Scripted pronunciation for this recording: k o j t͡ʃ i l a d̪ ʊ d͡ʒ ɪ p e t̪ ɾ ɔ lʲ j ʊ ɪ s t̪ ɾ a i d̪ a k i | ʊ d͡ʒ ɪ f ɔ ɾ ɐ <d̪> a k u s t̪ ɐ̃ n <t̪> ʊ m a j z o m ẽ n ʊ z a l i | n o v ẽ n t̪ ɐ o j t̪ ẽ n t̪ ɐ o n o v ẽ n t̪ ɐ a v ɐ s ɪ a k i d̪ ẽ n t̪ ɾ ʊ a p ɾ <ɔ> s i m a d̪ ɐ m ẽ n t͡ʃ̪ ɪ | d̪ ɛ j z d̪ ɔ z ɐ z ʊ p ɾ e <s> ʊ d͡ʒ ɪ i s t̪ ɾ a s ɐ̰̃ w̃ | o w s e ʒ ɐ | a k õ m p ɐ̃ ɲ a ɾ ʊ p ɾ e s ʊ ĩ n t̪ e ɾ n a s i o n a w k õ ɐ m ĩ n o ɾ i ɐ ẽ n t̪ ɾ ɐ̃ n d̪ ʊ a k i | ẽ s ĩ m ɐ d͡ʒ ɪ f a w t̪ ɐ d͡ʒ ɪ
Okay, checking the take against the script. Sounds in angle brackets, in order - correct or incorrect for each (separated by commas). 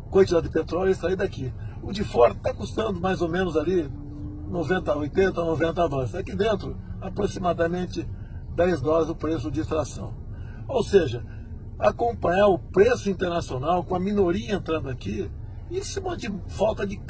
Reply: incorrect, incorrect, incorrect, correct